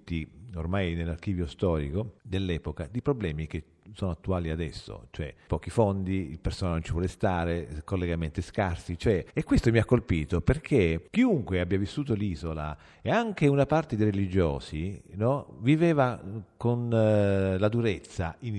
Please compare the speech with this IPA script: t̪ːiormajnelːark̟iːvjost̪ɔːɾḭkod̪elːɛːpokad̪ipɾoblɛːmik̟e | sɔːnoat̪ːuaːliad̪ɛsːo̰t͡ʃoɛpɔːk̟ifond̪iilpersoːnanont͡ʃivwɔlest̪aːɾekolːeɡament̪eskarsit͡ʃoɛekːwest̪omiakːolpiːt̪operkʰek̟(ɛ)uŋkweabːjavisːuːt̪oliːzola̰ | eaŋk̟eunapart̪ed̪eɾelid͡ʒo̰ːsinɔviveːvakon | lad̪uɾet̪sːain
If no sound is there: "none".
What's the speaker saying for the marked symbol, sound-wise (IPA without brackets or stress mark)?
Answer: i